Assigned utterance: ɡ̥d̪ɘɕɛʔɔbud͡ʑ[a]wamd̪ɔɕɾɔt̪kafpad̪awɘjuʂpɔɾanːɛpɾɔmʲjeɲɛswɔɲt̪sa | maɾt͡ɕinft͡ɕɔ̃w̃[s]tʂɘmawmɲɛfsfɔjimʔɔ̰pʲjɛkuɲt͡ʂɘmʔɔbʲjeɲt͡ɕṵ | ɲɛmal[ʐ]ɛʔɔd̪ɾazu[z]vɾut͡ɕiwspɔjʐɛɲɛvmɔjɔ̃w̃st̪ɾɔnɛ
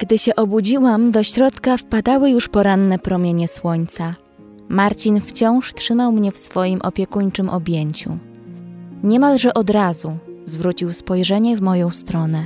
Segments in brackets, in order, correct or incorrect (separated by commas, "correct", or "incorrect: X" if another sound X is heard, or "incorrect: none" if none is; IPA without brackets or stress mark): incorrect: i, incorrect: ʂ, correct, correct